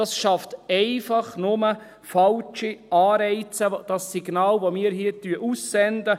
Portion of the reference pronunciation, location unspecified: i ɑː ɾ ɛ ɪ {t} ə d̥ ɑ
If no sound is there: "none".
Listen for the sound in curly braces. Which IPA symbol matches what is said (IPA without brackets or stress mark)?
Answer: t͡s